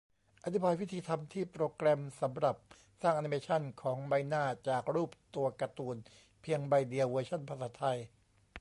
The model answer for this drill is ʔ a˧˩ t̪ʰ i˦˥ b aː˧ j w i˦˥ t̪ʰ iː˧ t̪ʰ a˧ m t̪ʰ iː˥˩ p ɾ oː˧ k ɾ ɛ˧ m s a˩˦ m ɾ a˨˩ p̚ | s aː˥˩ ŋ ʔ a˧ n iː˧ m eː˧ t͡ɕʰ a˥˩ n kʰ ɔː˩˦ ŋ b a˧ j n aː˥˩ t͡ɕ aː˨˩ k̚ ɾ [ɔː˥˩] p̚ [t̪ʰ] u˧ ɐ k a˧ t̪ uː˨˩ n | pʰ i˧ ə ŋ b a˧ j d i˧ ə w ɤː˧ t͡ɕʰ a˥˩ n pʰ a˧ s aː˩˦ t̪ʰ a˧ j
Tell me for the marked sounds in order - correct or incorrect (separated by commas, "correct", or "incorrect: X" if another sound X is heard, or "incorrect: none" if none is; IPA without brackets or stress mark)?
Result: incorrect: uː˥˩, incorrect: t̪